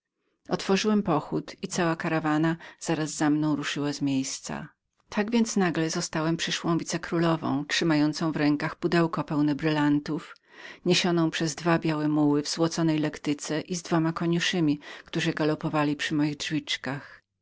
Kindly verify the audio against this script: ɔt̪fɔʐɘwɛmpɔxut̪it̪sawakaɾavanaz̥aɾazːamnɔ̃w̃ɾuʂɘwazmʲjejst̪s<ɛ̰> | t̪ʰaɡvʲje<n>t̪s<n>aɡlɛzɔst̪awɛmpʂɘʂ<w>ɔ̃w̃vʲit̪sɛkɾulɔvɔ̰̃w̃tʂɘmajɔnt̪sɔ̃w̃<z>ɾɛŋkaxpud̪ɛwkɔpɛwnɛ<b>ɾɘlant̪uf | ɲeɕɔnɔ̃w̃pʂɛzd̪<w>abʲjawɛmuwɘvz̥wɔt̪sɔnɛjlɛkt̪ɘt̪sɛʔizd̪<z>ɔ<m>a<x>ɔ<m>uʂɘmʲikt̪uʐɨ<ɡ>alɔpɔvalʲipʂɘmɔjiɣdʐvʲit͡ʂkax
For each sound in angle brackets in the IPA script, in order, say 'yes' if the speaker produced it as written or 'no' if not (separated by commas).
no, yes, yes, yes, no, yes, no, no, yes, no, no, yes